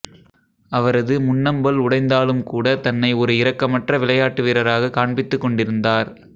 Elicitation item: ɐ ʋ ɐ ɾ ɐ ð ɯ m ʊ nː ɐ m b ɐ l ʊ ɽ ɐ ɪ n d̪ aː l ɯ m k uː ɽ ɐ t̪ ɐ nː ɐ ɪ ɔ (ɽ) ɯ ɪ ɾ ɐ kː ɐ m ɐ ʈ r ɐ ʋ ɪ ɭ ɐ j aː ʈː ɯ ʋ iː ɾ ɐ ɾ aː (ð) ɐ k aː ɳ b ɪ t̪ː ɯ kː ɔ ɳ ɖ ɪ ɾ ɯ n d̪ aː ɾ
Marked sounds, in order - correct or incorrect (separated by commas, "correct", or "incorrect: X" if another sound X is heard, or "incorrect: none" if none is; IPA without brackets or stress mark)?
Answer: incorrect: ɾ, incorrect: ɣ